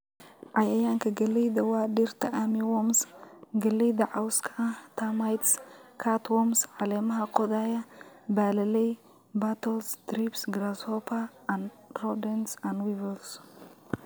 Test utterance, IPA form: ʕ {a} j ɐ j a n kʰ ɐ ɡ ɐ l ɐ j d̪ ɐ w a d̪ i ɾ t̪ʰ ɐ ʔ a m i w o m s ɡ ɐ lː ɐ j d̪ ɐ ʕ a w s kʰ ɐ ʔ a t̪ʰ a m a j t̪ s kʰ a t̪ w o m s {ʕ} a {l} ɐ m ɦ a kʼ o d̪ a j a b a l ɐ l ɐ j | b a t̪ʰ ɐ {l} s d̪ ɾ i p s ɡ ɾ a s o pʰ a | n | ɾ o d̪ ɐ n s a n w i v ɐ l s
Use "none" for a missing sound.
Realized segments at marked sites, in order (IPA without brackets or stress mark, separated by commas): a, ʕ, l, l